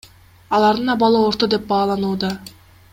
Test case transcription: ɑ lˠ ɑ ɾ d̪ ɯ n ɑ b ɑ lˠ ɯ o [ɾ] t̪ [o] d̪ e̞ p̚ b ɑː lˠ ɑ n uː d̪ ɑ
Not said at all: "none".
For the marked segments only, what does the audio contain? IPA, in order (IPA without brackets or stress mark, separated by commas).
ɾ, o